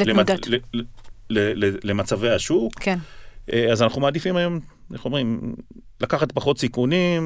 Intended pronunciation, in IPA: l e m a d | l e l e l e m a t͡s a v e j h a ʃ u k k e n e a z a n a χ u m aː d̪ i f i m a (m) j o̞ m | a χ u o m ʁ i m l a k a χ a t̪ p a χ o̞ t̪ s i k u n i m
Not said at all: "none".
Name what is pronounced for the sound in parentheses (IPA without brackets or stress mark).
none